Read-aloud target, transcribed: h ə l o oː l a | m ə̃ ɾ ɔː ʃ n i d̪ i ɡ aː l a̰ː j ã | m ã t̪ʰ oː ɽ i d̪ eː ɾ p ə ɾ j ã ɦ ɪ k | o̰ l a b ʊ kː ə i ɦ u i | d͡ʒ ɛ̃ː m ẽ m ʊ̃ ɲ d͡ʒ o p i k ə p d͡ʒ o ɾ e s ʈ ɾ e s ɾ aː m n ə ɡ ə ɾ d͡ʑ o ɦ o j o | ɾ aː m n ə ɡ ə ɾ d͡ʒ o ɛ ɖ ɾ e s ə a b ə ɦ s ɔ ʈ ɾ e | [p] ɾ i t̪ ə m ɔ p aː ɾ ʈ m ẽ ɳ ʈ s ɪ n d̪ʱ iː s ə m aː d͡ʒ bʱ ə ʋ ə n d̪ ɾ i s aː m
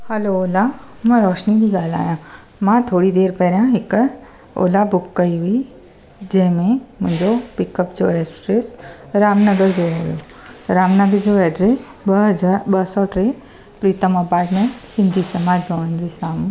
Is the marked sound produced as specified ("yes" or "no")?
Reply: yes